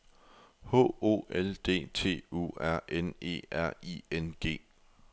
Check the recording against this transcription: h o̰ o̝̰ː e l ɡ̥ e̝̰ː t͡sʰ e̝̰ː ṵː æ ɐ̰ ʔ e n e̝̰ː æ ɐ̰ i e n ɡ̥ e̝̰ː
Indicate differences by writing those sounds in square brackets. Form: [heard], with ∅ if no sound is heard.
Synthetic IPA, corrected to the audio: h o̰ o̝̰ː e l [d̥] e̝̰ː t͡sʰ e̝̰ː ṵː æ ɐ̰ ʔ e n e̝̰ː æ ɐ̰ i e n ɡ̥ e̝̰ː